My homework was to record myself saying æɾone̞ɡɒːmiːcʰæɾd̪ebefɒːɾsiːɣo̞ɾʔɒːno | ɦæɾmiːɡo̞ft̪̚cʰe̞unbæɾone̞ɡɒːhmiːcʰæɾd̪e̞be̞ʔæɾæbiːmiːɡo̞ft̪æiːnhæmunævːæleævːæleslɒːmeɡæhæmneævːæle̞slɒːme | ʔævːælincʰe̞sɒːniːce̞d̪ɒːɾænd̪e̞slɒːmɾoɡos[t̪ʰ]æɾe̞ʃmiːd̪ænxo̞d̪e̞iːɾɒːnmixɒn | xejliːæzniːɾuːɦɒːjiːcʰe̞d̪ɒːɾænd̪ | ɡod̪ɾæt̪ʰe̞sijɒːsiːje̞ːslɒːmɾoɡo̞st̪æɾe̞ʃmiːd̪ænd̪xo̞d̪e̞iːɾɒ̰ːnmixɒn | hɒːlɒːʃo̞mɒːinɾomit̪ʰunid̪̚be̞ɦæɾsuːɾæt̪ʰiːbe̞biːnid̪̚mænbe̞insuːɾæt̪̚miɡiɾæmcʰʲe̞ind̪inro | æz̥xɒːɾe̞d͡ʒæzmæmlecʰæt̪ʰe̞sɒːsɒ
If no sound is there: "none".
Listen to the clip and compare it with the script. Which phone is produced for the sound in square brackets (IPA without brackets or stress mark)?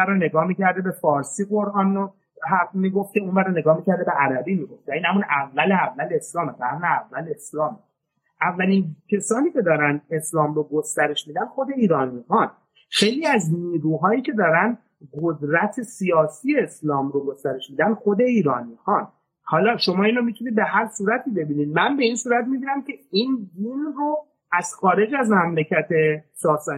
t̪